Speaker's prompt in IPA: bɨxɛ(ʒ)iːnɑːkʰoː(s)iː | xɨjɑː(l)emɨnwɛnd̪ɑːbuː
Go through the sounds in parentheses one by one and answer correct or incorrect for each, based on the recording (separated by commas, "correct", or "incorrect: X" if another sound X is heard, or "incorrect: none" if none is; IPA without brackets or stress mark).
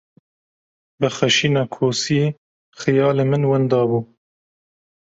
incorrect: ʃ, correct, correct